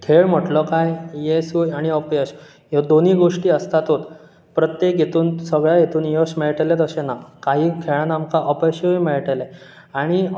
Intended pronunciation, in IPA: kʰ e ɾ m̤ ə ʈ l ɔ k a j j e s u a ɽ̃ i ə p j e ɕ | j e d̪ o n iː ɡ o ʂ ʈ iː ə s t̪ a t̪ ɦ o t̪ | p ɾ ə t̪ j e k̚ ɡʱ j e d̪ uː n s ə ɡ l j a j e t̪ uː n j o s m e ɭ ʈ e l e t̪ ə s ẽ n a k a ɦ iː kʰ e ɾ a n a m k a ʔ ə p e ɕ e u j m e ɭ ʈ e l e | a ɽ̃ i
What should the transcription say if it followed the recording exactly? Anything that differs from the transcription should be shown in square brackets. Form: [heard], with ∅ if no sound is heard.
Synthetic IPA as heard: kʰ e [ɭ] m̤ ə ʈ l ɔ k a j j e s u a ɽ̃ i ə p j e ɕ | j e d̪ o n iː ɡ o ʂ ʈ iː ə s t̪ a t̪ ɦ o t̪ | p ɾ ə t̪ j e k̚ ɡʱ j e [t̪] uː n s ə ɡ [ɭ] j a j e t̪ uː n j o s m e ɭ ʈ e l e t̪ ə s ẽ n a k a ɦ iː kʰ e [ɭ] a n a m k a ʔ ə p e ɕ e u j m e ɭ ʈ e l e | a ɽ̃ i